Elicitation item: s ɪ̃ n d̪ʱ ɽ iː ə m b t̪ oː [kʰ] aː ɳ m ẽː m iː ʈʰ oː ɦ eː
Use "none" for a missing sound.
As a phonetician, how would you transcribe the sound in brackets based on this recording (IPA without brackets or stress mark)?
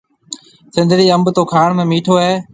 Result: kʰ